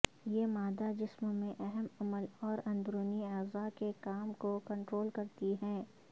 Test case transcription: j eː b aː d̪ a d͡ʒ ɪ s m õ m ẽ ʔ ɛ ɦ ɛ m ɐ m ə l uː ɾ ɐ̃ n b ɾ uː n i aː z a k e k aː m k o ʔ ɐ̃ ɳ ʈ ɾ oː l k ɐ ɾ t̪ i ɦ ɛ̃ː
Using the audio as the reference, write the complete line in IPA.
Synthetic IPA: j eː m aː d̪ a d͡ʒ ɪ s m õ m ẽ ʔ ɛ ɦ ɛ m ɐ m ə l ɔː ɾ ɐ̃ n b ɾ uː n i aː z a k e k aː m k o k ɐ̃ ɳ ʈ ɾ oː l k ɐ ɾ t̪ i ɦ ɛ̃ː

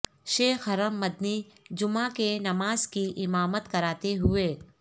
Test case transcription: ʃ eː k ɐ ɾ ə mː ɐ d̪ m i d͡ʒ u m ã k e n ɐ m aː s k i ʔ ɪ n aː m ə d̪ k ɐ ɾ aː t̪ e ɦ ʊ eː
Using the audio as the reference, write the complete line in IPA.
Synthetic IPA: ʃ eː x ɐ ɾ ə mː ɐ d̪ n i d͡ʒ ʊ m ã k e n ɐ m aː z k i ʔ ɪ m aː m ə t̪ k ɐ ɾ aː t̪ e ɦ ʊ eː

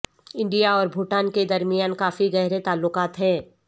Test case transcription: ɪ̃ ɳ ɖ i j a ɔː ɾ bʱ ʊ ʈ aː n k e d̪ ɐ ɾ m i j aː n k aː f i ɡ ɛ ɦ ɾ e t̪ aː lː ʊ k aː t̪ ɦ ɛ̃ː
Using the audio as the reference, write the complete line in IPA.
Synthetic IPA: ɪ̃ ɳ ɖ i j a ɔː ɾ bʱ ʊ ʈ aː n k e d̪ ɐ ɾ m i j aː n k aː f i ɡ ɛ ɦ ɾ e t̪ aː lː ʊ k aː t̪ ɦ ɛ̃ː

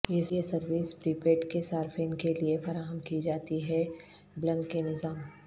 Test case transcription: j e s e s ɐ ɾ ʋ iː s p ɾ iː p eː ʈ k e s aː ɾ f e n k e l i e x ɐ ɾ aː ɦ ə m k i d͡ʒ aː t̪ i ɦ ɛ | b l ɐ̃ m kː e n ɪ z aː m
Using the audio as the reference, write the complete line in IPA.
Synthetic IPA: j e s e s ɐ ɾ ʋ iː s p ɾ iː p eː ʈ k e s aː ɾ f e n k e l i e f ɐ ɾ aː ɦ ə m k i d͡ʒ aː t̪ i ɦ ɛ | b l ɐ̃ ŋ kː e n ɪ z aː m

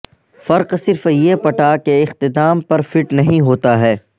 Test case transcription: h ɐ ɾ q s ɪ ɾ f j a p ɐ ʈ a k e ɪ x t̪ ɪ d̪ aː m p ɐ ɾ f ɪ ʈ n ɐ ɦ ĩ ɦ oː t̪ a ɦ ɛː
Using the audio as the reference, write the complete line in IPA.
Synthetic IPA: f ɐ ɾ q s ɪ ɾ f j e p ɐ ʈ a k e ɪ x t̪ ɪ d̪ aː m p ɐ ɾ f ɪ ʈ n ɐ ɦ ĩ ɦ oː t̪ a ɦ ɛː

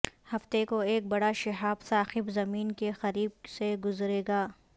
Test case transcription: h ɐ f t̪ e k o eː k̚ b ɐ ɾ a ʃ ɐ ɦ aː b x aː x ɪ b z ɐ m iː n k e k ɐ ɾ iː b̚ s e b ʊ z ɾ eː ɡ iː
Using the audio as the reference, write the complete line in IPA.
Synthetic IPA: h ɐ f t̪ e k o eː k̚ b ɐ ɽ a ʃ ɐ ɦ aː b s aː x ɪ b z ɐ m iː n k e x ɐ ɾ iː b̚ s e ɡ ʊ z ɾ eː ɡ aː

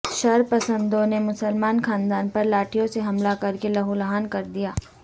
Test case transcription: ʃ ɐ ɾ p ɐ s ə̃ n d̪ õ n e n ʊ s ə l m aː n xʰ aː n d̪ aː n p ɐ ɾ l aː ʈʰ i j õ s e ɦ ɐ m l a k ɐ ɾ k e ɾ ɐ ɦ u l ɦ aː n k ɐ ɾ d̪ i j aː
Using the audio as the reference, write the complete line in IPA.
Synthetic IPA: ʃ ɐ ɾ p ɐ s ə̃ n d̪ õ n e m ʊ s ə l m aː n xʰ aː n d̪ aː n p ɐ ɾ l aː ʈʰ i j õ s e ɦ ɐ m l a k ɐ ɾ k e l ɐ ɦ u l ɦ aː n k ɐ ɾ d̪ i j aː

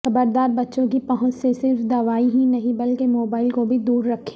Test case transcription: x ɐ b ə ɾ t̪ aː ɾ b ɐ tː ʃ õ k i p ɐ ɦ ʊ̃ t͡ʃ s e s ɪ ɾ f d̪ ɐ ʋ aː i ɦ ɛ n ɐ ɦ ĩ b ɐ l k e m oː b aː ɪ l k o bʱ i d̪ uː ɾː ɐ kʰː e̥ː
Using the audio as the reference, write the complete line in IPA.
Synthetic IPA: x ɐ b ə ɾ d̪ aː ɾ b ɐ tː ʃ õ k i p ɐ ɦ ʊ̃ t͡ʃ s e s ɪ ɾ f d̪ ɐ ʋ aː i ɦ i n ɐ ɦ ĩ b ɐ l k e m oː b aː ɪ l k o bʱ i d̪ uː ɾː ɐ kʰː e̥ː

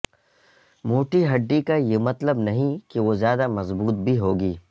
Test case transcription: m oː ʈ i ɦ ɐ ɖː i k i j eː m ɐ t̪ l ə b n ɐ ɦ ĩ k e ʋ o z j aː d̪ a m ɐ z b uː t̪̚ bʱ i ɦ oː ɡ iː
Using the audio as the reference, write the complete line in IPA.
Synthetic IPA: m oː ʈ i ɦ ɐ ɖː i k a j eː m ɐ t̪ l ə b n ɐ ɦ ĩ k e ʋ o z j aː d̪ a m ɐ z b uː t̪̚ bʱ i ɦ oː ɡ iː

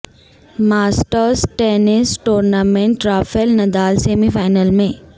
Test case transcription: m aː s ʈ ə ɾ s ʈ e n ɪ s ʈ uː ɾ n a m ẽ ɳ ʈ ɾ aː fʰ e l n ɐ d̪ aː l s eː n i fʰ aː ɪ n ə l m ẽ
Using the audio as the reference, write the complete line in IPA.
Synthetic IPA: m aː s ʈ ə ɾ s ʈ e n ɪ s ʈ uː ɾ n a m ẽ ɳ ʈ ɾ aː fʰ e l n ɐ d̪ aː l s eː m i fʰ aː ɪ n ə l m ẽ

